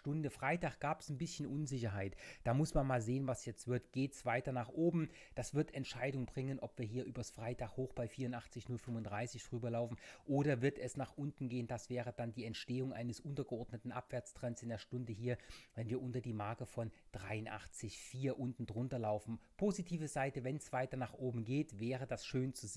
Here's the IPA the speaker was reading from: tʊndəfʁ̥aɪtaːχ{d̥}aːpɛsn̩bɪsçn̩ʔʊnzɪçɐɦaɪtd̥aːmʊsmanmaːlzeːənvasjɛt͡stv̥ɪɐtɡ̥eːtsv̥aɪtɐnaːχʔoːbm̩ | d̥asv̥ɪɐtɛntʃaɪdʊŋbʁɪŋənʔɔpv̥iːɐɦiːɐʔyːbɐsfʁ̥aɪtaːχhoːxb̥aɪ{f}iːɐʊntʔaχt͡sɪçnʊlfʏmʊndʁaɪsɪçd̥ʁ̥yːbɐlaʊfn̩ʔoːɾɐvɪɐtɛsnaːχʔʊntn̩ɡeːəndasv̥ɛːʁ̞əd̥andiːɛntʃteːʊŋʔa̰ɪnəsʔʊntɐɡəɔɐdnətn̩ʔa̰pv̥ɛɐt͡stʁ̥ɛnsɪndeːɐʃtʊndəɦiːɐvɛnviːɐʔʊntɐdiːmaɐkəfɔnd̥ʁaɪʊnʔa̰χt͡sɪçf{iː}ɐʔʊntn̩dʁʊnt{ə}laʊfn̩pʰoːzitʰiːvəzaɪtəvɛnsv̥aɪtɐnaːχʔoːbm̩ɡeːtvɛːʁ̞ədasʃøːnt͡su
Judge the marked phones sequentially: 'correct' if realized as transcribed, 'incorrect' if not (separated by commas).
incorrect, correct, correct, incorrect